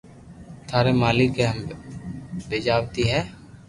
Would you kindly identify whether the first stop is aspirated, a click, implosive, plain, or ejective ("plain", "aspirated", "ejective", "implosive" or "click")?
aspirated